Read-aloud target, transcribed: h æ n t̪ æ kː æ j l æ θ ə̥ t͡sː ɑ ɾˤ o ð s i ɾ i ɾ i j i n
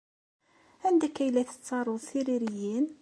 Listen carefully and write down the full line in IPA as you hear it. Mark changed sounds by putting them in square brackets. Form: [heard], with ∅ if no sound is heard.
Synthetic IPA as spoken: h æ n [d̪] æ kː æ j l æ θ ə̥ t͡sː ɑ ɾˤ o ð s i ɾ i ɾ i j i n